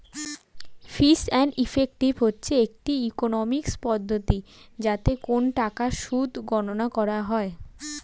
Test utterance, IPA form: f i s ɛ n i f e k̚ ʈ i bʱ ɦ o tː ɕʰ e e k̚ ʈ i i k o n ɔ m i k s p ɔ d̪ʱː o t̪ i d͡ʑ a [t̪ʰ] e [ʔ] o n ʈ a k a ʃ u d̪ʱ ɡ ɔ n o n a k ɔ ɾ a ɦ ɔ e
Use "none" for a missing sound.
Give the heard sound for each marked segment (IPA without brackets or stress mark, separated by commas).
t̪, k